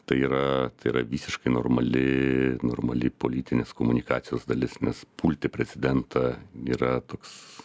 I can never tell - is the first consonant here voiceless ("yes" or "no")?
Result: yes